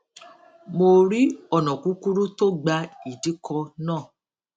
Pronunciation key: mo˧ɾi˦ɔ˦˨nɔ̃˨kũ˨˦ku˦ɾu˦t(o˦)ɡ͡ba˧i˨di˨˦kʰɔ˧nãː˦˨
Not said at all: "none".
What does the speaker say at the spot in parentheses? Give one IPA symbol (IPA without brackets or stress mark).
o˦